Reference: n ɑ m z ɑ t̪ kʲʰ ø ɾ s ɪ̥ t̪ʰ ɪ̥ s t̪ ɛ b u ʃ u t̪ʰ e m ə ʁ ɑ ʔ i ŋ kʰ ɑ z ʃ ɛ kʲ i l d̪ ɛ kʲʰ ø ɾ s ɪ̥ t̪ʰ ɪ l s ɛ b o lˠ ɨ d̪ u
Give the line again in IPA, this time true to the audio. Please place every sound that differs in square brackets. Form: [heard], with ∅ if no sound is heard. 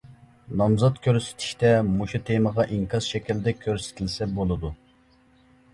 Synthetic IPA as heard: n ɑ m z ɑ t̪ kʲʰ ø ɾ s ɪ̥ t̪ʰ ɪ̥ [ʃ] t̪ ɛ [m] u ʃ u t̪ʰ e m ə ʁ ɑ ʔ i ŋ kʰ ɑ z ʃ ɛ kʲ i l d̪ ɛ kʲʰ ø ɾ s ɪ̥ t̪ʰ ɪ l s ɛ b o lˠ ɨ d̪ u

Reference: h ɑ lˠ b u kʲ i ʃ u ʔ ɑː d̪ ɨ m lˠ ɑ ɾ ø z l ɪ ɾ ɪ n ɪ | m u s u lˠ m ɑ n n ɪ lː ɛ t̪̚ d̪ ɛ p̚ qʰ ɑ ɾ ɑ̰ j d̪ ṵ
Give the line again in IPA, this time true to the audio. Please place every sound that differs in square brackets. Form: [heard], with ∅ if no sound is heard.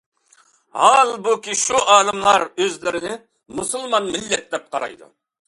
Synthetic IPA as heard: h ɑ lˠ b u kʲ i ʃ u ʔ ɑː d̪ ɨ m lˠ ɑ ɾ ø z l ɪ ɾ ɪ n ɪ | m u s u lˠ m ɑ n [m] ɪ lː ɛ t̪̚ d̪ ɛ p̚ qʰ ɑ ɾ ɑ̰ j d̪ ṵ

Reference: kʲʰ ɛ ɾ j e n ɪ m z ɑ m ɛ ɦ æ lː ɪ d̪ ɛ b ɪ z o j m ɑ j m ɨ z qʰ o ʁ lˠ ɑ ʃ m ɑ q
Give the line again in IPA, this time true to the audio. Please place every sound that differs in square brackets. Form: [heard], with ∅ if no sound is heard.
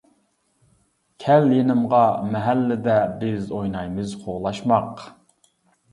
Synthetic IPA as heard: kʲʰ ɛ [l] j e n ɪ m [ʁ] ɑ m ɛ ɦ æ lː ɪ d̪ ɛ b ɪ z o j [n] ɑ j m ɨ z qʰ o ʁ lˠ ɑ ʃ m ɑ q

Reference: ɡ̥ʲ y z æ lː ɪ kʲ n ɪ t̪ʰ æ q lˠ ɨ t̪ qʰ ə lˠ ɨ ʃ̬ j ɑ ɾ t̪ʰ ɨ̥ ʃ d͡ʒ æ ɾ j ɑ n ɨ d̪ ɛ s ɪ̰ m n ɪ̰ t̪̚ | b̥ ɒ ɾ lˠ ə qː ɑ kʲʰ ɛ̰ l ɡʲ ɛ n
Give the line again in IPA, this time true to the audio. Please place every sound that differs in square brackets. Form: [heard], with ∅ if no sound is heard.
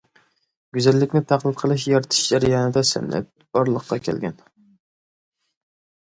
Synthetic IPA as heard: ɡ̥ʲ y z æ lː ɪ kʲ n ɪ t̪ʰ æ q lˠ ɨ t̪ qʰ ə lˠ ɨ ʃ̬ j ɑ ɾ t̪ʰ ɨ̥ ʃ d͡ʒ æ ɾ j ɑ n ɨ d̪ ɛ s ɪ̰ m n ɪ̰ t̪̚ | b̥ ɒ ɾ lˠ ə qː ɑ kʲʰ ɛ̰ l ɡʲ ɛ n

